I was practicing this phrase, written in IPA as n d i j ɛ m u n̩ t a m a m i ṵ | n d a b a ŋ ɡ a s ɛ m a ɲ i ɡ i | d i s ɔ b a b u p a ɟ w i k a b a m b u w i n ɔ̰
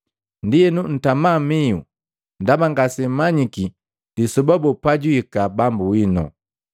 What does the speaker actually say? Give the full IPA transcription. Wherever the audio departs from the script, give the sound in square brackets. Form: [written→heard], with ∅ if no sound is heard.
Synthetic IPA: n d i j ɛ [m→n] u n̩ t a m a m i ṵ | n d a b a ŋ ɡ a s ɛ m a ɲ i [ɡ→k] i | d i s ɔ b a b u p a ɟ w i k a b a m b u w i n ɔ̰